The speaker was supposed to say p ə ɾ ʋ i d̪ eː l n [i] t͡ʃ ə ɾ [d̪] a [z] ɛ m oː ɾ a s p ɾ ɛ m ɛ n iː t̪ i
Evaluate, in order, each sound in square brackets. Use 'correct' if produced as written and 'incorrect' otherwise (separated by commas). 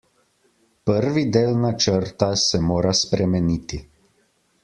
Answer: incorrect, incorrect, incorrect